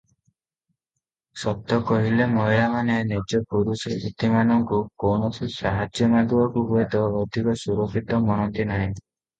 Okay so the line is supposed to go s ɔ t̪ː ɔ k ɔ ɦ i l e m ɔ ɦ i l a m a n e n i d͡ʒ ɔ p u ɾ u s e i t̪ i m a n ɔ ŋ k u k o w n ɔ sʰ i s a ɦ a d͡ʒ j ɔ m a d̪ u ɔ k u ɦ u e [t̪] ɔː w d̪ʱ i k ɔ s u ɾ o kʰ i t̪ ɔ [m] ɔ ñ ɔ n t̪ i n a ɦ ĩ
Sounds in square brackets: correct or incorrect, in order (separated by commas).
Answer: correct, correct